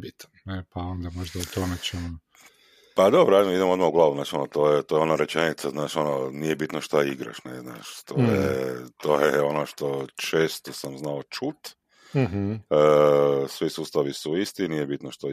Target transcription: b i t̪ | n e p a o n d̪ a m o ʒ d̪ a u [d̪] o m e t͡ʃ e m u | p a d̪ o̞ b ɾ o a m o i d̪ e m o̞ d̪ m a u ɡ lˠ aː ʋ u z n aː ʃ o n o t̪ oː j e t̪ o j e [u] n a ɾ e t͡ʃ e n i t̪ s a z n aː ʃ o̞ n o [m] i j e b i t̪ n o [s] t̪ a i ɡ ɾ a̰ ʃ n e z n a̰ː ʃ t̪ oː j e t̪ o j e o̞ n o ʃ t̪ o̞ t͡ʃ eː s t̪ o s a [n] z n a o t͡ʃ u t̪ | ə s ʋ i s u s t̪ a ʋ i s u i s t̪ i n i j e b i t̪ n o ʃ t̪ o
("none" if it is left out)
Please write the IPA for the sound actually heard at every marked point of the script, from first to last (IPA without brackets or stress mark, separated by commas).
t̪, o, n, ʃ, m